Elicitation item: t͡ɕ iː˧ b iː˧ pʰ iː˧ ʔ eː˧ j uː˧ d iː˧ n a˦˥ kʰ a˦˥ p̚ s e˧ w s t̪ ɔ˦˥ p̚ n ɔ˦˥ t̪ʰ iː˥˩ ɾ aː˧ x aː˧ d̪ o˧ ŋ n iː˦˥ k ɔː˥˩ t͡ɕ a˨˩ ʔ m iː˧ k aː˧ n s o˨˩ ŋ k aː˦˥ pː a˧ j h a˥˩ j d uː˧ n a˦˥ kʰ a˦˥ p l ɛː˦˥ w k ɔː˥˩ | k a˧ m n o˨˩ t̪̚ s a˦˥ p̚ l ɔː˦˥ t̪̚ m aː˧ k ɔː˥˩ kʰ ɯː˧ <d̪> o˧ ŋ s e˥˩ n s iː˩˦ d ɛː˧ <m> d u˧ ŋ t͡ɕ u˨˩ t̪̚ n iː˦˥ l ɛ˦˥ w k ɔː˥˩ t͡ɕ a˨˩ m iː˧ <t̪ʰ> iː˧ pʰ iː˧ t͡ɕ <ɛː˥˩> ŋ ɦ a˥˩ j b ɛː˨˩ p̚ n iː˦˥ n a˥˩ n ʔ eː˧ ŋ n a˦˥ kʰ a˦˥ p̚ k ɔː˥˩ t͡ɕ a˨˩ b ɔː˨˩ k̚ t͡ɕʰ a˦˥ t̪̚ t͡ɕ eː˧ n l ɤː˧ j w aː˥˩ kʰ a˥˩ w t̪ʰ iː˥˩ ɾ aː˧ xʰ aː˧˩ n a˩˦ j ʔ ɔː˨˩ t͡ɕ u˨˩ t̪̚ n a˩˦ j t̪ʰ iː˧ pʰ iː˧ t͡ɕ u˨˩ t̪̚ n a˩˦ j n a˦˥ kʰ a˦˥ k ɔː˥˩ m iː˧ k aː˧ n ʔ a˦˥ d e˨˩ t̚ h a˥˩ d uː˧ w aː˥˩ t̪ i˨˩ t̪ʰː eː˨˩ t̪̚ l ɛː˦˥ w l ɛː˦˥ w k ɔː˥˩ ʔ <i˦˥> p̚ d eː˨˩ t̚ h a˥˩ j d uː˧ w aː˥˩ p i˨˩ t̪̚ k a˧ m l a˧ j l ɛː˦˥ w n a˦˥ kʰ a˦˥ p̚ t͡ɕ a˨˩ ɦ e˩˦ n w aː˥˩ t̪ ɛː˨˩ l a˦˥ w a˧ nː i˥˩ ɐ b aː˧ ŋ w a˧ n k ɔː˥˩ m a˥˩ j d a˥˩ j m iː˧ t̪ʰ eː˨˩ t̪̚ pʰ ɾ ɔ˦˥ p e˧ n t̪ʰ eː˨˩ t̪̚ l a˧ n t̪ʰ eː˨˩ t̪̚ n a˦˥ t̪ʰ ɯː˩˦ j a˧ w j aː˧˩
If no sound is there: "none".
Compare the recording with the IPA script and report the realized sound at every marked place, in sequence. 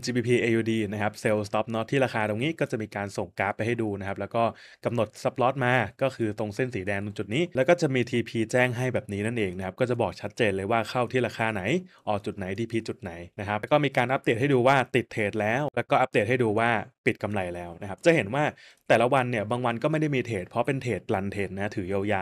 t̪, ŋ, t̪ʰ, ɛː˥˩, a˦˥

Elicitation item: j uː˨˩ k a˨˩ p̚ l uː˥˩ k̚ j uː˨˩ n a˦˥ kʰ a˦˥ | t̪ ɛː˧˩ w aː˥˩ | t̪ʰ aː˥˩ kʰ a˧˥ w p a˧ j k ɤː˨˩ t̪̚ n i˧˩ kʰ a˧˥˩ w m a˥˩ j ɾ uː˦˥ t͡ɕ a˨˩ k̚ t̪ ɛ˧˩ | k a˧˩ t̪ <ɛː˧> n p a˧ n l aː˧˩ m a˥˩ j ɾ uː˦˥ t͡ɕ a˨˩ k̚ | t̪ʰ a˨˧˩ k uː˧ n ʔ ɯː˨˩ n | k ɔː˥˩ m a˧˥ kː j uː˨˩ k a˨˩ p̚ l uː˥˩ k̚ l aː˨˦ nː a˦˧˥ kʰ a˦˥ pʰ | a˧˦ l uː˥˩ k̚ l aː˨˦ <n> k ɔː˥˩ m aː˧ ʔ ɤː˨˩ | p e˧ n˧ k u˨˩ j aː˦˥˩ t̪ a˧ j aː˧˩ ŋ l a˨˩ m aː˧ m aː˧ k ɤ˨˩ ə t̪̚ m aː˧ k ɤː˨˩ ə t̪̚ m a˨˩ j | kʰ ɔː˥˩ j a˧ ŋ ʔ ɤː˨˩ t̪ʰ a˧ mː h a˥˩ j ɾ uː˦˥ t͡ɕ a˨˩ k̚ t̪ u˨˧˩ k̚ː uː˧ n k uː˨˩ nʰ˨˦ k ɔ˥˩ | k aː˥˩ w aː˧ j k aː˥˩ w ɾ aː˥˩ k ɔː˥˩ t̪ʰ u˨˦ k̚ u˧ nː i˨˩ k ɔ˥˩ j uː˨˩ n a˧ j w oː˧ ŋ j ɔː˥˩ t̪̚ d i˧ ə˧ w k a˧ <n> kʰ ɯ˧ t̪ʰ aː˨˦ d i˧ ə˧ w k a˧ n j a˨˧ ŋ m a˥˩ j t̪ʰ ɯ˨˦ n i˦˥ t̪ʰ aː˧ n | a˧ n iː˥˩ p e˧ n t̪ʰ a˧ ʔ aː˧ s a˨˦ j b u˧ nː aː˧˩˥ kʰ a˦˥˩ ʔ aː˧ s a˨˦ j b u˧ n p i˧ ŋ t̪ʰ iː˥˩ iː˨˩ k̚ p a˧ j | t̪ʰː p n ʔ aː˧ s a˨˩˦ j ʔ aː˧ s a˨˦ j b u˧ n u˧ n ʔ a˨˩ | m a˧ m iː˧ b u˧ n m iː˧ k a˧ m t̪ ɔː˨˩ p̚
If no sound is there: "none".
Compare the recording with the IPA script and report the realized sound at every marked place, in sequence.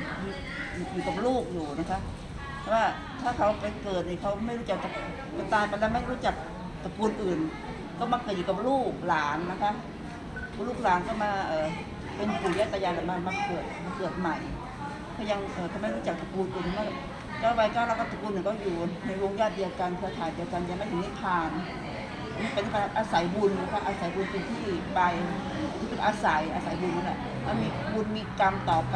aː˧, n, n

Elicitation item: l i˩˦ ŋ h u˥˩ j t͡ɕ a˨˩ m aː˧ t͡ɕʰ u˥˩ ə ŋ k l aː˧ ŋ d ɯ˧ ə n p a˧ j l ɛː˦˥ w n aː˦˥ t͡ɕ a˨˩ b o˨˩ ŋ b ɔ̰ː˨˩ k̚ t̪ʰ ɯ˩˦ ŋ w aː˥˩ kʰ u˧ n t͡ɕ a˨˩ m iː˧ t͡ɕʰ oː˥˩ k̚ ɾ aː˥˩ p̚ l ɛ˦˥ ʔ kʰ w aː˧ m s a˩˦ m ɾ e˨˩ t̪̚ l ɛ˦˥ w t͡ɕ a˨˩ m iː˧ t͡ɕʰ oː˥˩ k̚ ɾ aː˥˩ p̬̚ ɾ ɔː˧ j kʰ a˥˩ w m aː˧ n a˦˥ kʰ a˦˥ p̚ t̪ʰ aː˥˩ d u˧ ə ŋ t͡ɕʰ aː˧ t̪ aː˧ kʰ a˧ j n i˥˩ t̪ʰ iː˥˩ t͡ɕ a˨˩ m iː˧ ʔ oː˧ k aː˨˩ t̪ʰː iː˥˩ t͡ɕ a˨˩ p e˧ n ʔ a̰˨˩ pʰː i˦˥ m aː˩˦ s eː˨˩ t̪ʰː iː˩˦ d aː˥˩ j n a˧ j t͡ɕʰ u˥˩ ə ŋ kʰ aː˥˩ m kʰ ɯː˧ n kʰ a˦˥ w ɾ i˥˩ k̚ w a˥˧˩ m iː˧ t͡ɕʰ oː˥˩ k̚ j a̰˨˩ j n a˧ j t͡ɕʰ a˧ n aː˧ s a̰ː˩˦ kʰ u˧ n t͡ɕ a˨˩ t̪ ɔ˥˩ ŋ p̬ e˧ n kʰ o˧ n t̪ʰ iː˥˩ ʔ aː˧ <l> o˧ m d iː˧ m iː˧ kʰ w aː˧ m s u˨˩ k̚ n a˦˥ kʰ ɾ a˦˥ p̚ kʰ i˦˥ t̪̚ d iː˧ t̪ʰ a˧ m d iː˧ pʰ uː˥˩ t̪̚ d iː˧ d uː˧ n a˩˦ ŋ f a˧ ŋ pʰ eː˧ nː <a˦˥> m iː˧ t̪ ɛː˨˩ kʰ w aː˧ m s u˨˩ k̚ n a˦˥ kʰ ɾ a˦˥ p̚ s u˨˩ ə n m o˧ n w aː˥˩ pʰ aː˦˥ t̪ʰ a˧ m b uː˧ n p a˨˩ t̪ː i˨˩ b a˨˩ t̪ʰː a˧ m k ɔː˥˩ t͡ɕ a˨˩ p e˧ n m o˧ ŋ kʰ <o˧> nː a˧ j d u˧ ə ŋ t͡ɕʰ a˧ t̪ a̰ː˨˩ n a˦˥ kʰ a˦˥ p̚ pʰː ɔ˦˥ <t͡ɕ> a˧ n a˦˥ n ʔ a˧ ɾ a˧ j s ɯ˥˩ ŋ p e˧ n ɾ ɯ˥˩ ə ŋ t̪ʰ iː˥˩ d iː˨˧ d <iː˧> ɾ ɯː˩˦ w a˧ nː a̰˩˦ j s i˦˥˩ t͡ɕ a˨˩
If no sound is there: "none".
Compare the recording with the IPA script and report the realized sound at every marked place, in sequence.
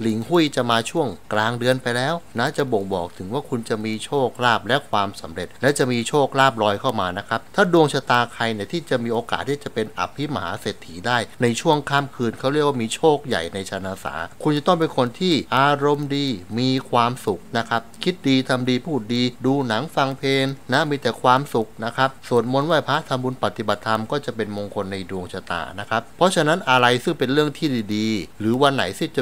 ɾ, a˦˥, o˧, t͡ɕʰ, iː˧

